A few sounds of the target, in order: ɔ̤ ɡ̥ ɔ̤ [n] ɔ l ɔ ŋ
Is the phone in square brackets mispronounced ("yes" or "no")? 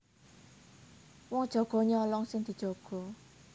yes